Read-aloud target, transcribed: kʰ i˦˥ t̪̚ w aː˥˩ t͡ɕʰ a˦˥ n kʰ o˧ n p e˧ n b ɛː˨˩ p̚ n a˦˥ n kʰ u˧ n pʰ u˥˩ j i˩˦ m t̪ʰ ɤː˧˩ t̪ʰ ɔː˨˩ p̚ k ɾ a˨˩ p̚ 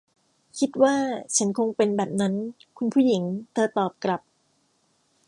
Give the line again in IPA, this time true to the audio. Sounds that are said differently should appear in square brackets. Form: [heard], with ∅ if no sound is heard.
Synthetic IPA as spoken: kʰ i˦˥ t̪̚ w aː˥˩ t͡ɕʰ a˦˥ n kʰ o˧ [ŋ] p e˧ n b ɛː˨˩ p̚ n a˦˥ n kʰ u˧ n pʰ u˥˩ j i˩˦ [ŋ] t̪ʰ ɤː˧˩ [t̪] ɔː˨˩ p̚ k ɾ a˨˩ p̚